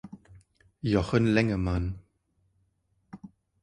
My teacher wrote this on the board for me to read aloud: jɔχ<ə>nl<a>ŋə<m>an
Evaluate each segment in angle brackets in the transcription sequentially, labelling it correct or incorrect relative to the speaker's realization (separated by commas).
correct, incorrect, correct